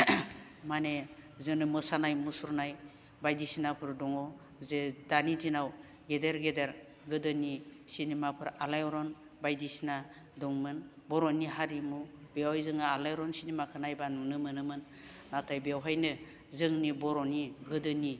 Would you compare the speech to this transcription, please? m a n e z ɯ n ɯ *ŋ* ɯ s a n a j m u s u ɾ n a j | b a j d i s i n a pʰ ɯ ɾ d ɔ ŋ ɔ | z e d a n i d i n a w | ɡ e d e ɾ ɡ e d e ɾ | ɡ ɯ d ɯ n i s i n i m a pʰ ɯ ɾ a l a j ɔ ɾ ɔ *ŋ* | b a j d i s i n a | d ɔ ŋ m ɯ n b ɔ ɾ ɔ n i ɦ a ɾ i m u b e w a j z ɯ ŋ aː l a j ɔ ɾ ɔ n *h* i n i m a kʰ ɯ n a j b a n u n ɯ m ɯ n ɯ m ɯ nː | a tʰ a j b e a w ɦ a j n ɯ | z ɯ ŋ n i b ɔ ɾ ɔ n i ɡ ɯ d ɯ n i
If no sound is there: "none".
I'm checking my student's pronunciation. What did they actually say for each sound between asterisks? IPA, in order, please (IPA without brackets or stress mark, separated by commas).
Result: m, n, s